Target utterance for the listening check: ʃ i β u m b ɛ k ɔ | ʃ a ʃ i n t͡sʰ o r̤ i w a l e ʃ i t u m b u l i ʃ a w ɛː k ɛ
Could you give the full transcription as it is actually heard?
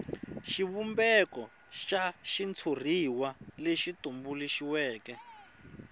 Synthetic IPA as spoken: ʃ i β u m b ɛ k ɔ | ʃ a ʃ i n t͡sʰ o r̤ i w a l e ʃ i t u m b u l i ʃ i w ɛː k ɛ